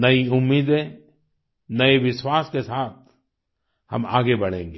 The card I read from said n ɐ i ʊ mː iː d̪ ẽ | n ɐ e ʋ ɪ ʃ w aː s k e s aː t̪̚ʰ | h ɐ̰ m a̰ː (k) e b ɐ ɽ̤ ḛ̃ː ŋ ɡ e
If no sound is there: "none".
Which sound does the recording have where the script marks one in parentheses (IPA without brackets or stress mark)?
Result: ɡ